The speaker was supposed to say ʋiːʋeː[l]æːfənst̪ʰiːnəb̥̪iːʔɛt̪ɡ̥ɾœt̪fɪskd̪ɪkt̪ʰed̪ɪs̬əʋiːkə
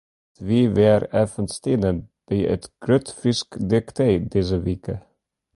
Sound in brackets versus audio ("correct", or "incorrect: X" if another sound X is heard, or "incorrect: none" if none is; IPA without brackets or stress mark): incorrect: ɾ